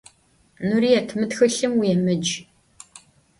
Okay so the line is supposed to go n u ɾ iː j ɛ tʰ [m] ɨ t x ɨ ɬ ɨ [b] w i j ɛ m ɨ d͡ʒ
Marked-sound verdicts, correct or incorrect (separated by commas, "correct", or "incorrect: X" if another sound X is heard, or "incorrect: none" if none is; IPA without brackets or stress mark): correct, incorrect: m